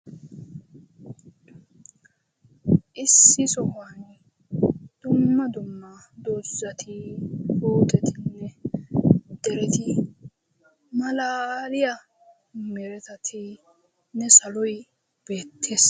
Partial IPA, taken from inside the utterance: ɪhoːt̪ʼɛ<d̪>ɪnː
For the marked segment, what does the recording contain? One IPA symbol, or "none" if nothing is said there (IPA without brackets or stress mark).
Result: t̪